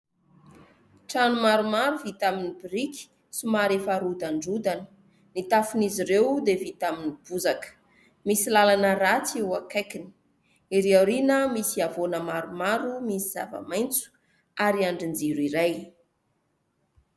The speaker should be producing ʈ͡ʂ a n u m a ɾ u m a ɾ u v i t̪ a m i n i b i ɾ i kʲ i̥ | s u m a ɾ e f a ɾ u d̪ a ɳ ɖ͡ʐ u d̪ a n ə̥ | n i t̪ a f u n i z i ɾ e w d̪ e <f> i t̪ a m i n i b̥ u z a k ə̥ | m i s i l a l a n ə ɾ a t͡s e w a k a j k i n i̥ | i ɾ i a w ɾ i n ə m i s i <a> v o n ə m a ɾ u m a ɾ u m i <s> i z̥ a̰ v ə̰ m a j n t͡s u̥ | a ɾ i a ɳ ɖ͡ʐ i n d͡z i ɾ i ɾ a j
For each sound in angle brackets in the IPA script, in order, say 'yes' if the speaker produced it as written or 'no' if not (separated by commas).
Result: no, yes, yes